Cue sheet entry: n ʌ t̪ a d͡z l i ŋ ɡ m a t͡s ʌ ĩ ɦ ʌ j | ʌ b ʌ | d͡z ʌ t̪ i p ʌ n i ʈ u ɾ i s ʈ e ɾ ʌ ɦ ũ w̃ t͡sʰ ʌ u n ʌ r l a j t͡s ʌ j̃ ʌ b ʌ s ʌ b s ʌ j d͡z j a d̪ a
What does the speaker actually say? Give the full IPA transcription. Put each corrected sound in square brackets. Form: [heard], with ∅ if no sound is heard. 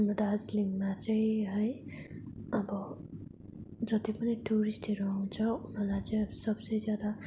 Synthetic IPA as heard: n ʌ [d̪] a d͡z l i ŋ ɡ m a t͡s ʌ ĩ ɦ ʌ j | ʌ b ʌ | d͡z ʌ t̪ i p ʌ n i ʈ u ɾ i s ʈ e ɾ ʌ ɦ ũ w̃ t͡sʰ ʌ u n ʌ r l a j t͡s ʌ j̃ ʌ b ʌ s ʌ b s ʌ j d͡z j a d̪ a